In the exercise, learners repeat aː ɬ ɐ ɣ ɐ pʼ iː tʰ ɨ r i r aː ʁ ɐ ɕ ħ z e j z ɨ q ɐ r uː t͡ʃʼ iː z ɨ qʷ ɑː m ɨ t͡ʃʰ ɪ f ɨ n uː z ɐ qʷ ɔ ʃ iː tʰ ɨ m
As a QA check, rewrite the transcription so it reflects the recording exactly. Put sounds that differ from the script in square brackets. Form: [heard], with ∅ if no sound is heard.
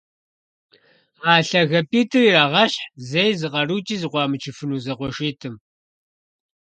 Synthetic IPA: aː ɬ ɐ ɣ ɐ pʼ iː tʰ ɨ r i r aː ʁ ɐ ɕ ħ z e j z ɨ q ɐ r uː t͡ʃʼ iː z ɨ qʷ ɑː m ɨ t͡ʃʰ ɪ f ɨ n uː z ɐ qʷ ɔ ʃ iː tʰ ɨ m

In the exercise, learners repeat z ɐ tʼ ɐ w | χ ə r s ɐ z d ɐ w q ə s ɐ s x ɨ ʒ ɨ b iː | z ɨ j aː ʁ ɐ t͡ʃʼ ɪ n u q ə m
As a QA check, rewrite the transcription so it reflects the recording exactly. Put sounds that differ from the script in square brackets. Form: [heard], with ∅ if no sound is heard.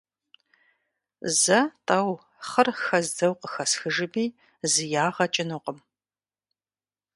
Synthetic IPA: z ɐ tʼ ɐ w | χ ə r [x] ɐ z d ɐ w q ə [x] ɐ s x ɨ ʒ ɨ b iː | z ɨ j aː ʁ ɐ t͡ʃʼ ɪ n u q ə m

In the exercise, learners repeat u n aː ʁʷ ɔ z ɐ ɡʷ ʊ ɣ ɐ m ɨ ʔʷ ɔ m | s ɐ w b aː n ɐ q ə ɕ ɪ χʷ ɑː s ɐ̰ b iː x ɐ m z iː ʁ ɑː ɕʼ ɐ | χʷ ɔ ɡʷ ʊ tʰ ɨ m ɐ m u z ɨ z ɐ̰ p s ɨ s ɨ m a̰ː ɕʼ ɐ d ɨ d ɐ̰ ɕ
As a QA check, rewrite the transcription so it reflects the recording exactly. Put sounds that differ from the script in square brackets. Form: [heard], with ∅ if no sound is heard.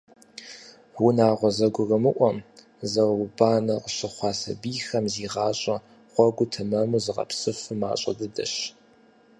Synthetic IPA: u n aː ʁʷ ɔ z ɐ ɡʷ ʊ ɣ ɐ m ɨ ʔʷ ɔ m | [z] ɐ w b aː n ɐ q ə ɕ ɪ χʷ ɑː s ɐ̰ b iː x ɐ m z iː ʁ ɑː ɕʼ ɐ | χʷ ɔ ɡʷ ʊ tʰ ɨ m ɐ m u z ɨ [ʁ] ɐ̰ p s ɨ [f] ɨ m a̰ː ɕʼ ɐ d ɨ d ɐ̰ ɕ

